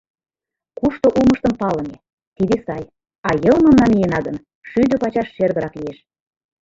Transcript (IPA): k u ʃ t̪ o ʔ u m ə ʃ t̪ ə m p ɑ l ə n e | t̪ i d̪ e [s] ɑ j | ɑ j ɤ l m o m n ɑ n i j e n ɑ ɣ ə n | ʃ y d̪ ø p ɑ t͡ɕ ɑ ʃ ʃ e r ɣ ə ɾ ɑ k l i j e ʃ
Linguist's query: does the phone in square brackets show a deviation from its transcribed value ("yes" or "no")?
no